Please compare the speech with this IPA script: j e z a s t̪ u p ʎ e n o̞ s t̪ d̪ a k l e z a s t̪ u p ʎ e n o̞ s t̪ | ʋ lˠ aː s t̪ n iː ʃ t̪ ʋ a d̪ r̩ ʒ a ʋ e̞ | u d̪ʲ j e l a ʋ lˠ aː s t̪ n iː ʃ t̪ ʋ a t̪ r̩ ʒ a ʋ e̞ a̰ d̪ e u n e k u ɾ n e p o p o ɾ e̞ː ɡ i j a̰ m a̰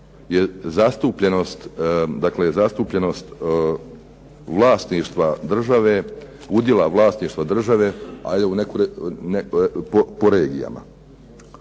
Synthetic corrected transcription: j e z a s t̪ u p ʎ e n o̞ s t̪ d̪ a k l e z a s t̪ u p ʎ e n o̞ s t̪ | ʋ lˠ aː s t̪ n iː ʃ t̪ ʋ a d̪ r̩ ʒ a ʋ e̞ | u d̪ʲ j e l a ʋ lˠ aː s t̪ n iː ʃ t̪ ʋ a d̪ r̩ ʒ a ʋ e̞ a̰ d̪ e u n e k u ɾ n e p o p o ɾ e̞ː ɡ i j a̰ m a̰